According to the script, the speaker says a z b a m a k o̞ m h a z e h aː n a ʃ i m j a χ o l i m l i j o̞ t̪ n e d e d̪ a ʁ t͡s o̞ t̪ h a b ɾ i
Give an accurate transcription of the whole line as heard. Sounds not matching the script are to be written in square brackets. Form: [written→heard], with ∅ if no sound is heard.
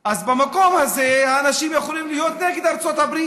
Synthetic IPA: a z b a m a k o̞ m h a z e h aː n a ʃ i m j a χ o l i m l i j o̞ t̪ n e [d→ɡ] e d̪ a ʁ t͡s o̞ t̪ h a b ɾ i